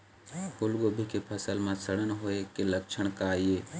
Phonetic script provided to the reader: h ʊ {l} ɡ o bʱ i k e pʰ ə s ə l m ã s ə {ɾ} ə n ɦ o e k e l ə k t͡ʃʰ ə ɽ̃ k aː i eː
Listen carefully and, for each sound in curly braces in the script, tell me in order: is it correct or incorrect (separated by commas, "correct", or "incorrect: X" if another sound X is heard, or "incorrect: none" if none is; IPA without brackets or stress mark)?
correct, incorrect: ɽ